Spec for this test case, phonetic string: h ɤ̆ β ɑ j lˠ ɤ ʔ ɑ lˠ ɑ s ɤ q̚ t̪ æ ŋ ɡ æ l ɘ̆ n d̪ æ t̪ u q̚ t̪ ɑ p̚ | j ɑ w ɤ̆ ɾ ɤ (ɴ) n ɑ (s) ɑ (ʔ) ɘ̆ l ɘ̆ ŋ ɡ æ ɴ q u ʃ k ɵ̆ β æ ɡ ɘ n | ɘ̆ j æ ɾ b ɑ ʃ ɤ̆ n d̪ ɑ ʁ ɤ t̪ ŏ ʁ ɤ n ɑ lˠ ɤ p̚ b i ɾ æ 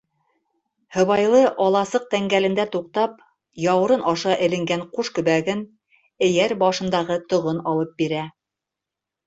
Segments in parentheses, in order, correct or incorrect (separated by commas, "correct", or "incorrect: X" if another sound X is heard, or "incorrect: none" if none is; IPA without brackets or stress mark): incorrect: none, incorrect: ʃ, correct